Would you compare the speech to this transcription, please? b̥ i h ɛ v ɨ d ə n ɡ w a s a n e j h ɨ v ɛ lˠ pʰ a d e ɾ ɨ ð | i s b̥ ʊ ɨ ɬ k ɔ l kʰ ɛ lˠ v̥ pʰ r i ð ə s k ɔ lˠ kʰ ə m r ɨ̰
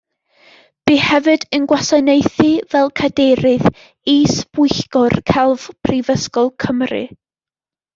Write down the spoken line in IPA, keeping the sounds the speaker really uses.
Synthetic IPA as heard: b̥ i h ɛ v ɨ d ə n ɡ w a s a n e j θ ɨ v ɛ lˠ kʰ a d e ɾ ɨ ð | i s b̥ ʊ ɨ ɬ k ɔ r kʰ ɛ lˠ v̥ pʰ r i v ə s k ɔ lˠ kʰ ə m r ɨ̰